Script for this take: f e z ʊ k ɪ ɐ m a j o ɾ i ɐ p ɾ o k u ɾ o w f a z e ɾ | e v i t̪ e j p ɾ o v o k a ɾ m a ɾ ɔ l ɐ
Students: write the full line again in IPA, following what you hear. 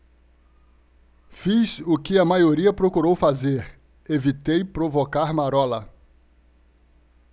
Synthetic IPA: f i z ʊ k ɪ ɐ m a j o ɾ i ɐ p ɾ o k u ɾ o w f a z e ɾ | e v i t̪ e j p ɾ o v o k a ɾ m a ɾ ɔ l ɐ